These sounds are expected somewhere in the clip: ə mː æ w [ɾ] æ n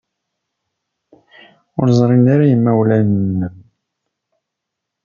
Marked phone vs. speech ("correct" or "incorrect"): incorrect